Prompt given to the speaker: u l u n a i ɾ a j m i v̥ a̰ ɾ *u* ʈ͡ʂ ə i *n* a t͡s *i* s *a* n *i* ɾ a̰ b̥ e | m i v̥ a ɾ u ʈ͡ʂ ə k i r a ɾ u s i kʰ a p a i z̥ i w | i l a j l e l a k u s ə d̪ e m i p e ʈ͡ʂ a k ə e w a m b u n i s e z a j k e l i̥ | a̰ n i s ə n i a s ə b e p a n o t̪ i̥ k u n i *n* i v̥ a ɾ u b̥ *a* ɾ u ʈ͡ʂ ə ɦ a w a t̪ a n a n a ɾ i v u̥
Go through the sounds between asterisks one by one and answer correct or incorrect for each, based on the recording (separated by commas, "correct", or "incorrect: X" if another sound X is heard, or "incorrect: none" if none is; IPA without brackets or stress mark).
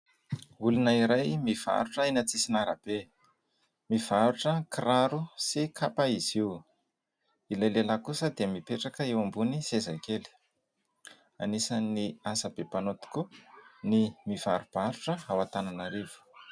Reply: correct, correct, correct, incorrect: i, incorrect: a, incorrect: m, correct